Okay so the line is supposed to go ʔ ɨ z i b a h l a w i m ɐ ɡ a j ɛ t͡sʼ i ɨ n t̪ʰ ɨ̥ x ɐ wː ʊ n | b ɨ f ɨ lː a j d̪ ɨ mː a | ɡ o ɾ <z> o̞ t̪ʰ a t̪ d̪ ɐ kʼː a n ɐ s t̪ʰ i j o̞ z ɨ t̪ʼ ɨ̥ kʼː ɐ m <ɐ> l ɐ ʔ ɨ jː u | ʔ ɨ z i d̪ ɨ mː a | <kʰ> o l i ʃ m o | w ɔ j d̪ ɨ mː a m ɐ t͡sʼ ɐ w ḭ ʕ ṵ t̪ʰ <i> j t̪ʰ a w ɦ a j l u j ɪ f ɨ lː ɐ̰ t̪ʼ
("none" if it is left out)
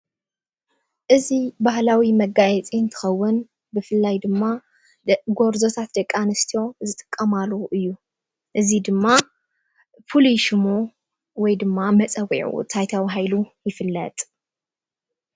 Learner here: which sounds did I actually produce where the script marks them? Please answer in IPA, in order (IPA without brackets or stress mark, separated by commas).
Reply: z, a, pʰ, a